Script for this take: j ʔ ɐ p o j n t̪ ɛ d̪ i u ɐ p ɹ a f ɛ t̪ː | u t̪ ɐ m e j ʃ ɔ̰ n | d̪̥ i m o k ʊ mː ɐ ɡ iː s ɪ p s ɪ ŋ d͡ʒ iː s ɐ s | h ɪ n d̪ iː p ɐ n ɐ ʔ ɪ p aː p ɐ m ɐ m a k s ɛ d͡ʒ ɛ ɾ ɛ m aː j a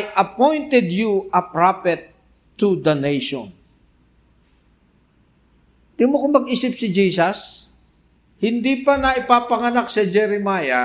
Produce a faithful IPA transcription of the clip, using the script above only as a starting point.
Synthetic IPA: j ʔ ɐ p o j n t̪ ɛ d̪ j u ɐ p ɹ a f ɛ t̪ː | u d̪ ɐ n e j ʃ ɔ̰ n | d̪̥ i m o k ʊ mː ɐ ɡ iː s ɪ p s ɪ d͡ʒ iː s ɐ s | h ɪ n d̪ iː p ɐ n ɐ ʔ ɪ p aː p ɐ ŋ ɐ n a k s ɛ d͡ʒ ɛ ɾ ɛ m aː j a